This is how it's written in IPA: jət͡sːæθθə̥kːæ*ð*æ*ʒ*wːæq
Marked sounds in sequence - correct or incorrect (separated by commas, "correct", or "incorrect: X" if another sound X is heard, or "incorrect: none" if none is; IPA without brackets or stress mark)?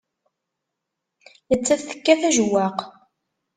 incorrect: θ, correct